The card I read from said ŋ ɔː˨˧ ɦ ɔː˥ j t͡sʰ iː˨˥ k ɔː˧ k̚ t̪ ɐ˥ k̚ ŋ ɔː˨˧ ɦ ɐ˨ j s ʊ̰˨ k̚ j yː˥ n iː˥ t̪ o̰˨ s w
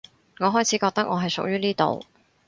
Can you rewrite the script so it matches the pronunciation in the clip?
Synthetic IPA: ŋ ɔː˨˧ ɦ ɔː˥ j t͡sʰ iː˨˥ k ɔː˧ k̚ t̪ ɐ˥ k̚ ŋ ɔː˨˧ ɦ ɐ˨ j s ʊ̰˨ k̚ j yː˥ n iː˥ t̪ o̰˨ w